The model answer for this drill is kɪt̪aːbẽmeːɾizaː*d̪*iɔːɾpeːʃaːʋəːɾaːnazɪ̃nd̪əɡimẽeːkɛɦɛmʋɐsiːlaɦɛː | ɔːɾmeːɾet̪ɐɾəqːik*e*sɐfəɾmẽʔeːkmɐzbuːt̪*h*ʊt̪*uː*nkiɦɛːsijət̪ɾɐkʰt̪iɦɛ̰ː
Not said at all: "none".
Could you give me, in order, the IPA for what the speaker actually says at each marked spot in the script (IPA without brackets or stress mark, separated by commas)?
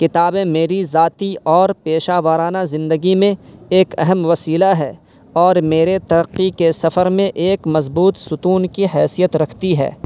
t̪, e, s, uː